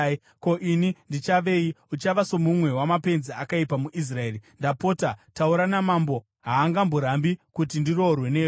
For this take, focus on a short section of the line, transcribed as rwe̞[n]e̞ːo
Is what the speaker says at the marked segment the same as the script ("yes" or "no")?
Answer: yes